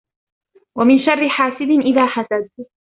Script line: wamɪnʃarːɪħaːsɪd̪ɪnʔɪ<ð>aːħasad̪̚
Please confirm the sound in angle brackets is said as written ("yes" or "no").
yes